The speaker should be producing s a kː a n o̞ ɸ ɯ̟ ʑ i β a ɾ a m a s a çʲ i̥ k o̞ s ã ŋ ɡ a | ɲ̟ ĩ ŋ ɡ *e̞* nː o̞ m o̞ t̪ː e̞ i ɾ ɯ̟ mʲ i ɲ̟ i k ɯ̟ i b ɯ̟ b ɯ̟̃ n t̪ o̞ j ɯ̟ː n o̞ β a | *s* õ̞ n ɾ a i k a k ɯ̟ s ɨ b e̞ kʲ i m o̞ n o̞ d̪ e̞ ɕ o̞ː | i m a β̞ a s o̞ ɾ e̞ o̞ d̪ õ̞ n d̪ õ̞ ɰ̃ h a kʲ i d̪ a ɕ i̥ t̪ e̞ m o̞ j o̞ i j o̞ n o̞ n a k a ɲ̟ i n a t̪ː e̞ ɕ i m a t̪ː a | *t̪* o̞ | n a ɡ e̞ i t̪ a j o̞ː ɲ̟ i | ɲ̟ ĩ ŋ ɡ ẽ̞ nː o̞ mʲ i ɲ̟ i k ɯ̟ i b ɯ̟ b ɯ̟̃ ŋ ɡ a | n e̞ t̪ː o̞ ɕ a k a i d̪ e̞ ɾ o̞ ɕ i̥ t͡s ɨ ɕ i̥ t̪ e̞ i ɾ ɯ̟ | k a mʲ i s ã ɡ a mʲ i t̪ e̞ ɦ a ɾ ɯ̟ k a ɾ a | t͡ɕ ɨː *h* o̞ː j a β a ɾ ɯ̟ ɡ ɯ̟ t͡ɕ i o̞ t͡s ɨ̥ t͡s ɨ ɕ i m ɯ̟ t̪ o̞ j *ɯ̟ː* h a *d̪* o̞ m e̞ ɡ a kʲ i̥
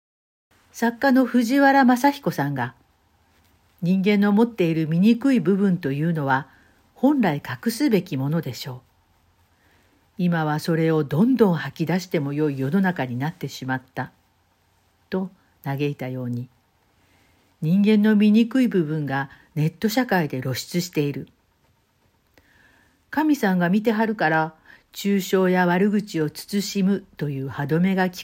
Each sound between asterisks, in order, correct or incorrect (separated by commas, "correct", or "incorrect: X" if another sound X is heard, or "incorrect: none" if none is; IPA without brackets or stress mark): incorrect: ẽ̞, incorrect: h, correct, incorrect: ɕ, correct, correct